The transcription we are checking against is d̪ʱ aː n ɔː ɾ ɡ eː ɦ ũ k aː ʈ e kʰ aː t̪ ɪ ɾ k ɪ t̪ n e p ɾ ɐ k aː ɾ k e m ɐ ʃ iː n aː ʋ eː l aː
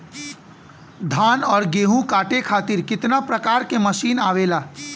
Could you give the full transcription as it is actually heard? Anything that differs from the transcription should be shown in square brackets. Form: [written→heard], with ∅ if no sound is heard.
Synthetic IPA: d̪ʱ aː n ɔː ɾ ɡ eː ɦ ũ k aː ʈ e kʰ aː t̪ ɪ ɾ k ɪ t̪ n [e→a] p ɾ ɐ k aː ɾ k e m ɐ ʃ iː n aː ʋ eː l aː